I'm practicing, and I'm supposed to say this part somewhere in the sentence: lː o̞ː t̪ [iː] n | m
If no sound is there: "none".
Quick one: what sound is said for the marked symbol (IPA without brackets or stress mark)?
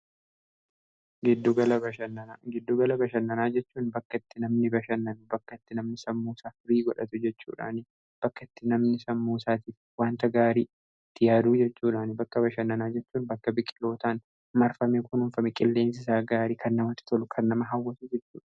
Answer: aː